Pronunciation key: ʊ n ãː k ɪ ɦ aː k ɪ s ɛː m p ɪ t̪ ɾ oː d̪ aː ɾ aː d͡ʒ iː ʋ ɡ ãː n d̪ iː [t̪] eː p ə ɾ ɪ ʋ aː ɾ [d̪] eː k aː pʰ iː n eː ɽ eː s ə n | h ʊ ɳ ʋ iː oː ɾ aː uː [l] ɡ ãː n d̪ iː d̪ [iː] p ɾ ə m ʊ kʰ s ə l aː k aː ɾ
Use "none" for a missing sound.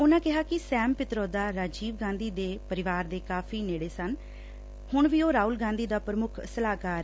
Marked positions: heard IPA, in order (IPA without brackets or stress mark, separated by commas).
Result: d̪, d̪, l, aː